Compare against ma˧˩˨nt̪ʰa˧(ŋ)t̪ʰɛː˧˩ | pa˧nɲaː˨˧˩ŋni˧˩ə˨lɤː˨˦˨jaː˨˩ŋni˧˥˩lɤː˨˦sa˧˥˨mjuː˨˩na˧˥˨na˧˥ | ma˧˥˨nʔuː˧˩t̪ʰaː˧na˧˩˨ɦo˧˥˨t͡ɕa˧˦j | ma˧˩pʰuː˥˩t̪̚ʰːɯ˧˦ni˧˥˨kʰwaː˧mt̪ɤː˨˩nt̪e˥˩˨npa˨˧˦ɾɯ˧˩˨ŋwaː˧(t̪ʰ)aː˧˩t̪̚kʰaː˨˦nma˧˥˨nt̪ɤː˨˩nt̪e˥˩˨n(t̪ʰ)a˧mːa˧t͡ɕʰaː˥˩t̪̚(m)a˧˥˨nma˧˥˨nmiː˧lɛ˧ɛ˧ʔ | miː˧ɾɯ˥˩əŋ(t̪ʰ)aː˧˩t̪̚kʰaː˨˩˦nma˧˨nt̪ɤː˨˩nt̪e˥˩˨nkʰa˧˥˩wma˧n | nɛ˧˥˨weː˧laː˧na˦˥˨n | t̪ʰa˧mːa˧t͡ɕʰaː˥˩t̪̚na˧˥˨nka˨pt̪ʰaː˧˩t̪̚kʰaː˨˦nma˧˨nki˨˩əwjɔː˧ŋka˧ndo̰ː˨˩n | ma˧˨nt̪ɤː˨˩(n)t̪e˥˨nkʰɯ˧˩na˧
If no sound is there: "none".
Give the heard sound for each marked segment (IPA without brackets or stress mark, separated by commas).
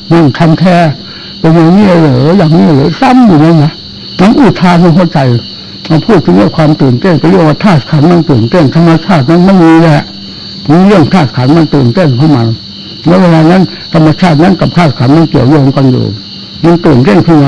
m, t̪ʰ, t̪ʰ, n, t̪ʰ, n